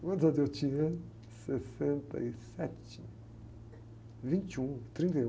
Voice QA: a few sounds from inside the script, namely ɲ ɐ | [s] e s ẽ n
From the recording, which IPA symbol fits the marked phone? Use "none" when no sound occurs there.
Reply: s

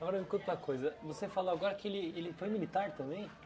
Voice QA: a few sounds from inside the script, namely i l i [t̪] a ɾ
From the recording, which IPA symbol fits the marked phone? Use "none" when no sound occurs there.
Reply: t̪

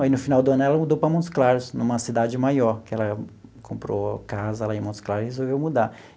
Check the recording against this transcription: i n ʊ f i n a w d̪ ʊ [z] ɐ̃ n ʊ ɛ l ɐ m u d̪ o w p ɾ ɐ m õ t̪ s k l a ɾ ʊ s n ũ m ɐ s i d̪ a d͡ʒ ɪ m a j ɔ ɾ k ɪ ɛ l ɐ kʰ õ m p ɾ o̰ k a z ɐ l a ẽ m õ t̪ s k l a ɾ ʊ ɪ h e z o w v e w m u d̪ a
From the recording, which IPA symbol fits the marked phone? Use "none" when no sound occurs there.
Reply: none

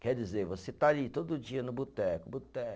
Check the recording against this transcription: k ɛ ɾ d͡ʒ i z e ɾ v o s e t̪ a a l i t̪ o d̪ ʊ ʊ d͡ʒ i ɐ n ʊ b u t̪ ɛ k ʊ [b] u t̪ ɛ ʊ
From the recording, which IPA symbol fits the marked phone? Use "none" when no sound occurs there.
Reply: b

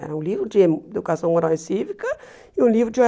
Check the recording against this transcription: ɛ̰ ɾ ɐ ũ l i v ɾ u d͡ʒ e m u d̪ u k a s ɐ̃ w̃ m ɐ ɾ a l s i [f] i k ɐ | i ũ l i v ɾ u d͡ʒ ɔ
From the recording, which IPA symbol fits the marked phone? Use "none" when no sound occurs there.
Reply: v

